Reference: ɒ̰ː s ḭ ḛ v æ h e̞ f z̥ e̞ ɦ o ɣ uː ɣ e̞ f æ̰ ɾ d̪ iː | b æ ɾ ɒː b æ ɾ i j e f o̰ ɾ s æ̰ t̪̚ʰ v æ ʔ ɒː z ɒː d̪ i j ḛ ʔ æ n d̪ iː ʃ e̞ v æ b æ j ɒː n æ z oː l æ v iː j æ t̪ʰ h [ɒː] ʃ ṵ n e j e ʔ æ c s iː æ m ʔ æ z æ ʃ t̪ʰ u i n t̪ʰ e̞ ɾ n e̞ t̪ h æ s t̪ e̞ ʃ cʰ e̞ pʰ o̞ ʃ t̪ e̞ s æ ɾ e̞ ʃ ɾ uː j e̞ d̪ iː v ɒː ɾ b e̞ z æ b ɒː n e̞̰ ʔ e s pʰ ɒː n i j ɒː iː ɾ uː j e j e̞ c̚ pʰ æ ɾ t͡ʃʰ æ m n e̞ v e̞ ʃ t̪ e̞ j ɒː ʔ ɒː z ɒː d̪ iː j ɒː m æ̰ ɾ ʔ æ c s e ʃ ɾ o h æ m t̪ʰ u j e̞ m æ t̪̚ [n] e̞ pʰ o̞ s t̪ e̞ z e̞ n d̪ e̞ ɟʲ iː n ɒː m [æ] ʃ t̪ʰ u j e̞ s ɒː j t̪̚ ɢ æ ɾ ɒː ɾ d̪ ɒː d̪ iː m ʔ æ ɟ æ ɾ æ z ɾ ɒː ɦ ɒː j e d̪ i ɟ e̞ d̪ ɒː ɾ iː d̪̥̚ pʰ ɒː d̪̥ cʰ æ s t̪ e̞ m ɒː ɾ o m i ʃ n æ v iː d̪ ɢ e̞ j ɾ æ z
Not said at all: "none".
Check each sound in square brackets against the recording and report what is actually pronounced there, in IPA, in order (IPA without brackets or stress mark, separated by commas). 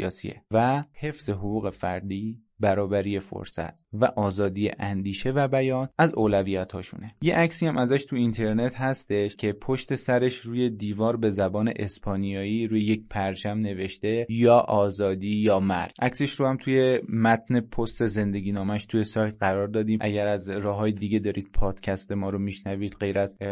ɒː, n, æ